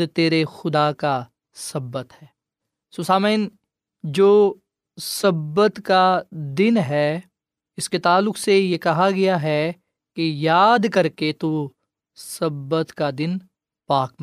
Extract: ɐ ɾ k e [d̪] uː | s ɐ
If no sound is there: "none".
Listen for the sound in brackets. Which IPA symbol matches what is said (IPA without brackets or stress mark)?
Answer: t̪